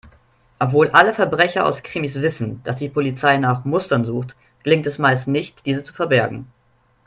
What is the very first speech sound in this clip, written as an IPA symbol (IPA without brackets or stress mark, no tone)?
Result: ʔ